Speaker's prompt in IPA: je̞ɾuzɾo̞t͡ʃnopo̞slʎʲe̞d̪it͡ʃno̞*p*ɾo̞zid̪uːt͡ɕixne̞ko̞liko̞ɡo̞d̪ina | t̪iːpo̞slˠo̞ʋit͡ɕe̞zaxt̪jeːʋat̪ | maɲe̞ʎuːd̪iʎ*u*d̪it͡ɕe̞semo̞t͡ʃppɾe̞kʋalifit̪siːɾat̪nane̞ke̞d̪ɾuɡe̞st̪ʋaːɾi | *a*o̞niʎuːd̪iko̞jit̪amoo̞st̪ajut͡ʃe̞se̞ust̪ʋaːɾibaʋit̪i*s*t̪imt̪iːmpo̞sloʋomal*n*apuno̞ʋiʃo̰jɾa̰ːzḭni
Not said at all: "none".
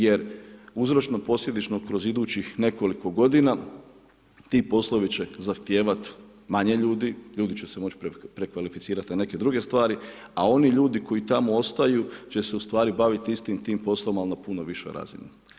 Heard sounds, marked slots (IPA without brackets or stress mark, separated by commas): k, uː, a, s, n